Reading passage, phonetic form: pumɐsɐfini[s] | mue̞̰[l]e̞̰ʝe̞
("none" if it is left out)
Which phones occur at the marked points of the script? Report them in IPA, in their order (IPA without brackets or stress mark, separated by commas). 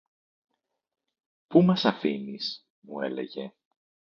s, l